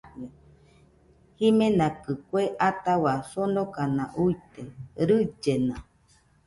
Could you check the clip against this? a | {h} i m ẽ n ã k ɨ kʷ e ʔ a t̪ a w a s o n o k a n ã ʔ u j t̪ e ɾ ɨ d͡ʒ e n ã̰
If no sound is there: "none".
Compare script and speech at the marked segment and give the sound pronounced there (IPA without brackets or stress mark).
h